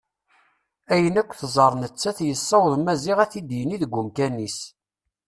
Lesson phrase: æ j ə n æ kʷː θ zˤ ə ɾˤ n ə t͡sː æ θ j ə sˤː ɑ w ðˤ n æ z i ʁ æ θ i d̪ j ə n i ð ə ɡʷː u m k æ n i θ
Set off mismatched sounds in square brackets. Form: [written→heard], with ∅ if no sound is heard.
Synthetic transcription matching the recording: æ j ə n æ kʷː θ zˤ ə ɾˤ n ə t͡sː æ θ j ə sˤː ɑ w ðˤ [n→m] æ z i ʁ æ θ i d̪ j ə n i ð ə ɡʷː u m k æ n i [θ→s]